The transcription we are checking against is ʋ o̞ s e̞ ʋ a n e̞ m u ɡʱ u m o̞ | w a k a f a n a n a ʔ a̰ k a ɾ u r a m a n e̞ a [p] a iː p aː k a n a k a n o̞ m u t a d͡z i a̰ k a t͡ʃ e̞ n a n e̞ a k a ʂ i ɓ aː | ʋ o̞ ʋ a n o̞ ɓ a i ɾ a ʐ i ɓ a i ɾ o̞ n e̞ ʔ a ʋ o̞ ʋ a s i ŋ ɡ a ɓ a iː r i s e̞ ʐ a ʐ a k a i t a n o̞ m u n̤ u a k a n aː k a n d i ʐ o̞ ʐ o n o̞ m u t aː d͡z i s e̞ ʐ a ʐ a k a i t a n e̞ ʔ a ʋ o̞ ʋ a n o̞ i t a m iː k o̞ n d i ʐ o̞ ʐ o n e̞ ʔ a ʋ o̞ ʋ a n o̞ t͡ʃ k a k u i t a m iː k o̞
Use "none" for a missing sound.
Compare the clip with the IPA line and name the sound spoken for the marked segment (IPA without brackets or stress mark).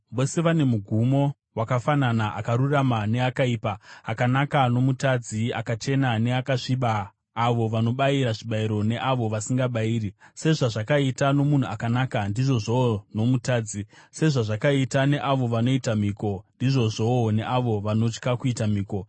k